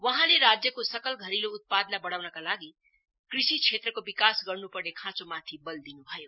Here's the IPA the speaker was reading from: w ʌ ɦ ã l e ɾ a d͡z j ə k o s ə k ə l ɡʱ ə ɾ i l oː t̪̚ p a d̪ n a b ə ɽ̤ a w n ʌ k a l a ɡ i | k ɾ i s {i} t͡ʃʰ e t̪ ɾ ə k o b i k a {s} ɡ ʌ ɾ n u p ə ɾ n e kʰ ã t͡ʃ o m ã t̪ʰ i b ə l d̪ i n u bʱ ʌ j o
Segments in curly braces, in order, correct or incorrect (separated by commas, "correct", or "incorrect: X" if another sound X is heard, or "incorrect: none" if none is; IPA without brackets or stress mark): correct, correct